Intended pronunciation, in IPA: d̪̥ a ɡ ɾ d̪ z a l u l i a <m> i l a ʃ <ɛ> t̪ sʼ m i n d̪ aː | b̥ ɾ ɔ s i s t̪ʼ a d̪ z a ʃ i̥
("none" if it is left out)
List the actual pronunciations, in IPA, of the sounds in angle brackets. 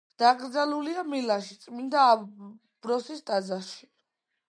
m, i

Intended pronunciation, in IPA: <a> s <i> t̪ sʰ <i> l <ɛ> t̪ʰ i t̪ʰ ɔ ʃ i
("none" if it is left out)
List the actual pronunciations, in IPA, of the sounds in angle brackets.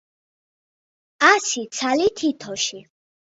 a, i, a, i

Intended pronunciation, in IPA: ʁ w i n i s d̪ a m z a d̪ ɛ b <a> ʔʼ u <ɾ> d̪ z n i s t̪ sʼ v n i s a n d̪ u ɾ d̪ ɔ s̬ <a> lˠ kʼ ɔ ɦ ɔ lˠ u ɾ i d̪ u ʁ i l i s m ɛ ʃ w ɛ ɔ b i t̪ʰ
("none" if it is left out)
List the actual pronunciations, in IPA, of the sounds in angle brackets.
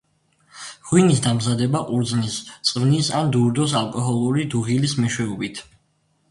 a, ɾ, a

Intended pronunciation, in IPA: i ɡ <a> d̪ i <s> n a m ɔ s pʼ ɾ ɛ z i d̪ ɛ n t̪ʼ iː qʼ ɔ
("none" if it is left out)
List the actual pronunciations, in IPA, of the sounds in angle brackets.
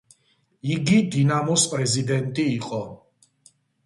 i, none

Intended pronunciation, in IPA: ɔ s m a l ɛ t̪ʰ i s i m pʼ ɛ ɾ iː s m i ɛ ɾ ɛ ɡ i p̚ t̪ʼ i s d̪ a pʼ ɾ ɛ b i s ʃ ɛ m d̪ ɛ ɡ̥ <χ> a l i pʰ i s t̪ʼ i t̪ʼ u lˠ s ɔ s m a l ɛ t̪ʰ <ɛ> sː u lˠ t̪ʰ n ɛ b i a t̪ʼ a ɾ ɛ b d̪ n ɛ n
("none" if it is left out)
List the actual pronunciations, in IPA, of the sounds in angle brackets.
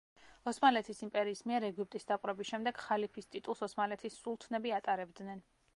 χ, i

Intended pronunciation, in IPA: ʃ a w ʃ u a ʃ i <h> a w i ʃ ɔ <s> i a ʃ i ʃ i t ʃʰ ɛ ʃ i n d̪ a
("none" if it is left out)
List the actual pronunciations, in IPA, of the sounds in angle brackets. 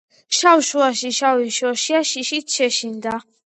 ʃ, ʃ

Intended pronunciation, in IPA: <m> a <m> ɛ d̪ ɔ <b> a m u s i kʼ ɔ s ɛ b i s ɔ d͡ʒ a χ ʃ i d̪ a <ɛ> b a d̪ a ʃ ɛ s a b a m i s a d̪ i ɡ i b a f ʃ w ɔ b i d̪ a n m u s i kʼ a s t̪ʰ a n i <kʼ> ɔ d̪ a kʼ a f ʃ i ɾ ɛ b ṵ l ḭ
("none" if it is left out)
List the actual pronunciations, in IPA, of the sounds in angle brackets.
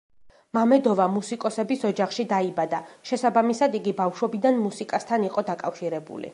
m, m, v, i, qʼ

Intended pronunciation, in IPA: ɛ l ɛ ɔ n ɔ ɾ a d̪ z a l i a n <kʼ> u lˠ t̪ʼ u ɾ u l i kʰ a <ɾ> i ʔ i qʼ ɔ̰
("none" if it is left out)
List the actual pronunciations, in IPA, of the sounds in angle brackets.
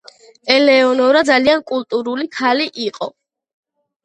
kʼ, l

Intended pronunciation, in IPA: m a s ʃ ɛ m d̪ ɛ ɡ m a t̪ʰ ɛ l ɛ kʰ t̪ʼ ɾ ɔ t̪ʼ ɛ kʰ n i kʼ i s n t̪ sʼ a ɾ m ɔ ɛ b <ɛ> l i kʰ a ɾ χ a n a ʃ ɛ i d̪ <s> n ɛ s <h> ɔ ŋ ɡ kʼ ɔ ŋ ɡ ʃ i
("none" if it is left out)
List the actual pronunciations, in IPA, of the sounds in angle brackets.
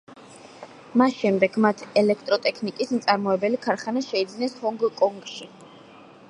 ɛ, z, h

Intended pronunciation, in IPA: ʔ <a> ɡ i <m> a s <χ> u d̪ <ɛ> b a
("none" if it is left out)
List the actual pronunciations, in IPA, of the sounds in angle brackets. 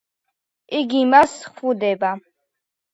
i, m, χ, ɛ

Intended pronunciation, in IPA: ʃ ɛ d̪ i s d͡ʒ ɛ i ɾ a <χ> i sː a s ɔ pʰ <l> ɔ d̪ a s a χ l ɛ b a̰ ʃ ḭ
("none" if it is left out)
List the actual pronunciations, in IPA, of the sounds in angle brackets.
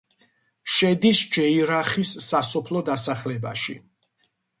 χ, l

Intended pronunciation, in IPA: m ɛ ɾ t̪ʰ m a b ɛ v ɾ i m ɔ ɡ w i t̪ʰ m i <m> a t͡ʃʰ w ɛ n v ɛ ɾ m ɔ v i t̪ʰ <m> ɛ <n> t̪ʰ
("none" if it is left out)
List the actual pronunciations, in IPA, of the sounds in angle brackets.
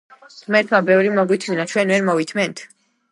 n, m, n

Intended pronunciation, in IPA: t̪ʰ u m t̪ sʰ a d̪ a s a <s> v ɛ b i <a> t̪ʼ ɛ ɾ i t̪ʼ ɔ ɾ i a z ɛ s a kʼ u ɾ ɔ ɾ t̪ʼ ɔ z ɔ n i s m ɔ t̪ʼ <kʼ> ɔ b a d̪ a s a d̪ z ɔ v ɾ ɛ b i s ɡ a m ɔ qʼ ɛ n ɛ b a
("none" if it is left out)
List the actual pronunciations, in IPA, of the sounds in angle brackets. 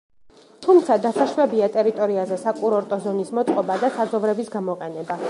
ʃ, a, qʼ

